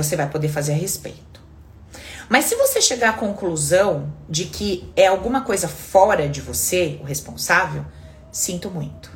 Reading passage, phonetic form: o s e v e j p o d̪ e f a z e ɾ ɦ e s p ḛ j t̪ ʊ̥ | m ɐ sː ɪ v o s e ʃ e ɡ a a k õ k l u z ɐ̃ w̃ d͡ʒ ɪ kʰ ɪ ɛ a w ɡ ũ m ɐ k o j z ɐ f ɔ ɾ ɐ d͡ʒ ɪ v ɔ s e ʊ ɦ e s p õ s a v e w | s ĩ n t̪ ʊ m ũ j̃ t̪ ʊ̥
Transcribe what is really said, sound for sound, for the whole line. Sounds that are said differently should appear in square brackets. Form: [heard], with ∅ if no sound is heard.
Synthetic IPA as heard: o s e v [a] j p o d̪ e f a z e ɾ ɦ e s p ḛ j t̪ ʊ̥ | m ɐ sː ɪ v o s e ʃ e ɡ a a k õ k l u z ɐ̃ w̃ d͡ʒ ɪ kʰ ɪ ɛ a w ɡ ũ m ɐ k o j z ɐ f ɔ ɾ ɐ d͡ʒ ɪ v [o] s e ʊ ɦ e s p õ s a v e w | s ĩ n t̪ ʊ m ũ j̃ t̪ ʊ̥